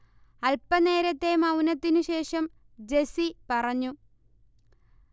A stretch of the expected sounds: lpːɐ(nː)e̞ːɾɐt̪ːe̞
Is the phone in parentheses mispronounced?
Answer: yes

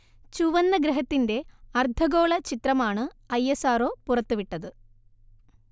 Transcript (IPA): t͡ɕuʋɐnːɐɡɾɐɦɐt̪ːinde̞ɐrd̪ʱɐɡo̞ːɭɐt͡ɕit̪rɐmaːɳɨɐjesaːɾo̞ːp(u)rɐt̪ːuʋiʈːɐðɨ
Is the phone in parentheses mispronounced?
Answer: no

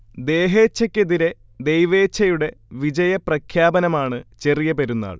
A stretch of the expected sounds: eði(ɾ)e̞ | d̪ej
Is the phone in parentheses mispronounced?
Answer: no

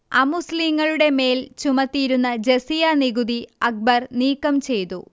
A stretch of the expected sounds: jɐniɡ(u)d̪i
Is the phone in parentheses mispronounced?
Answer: no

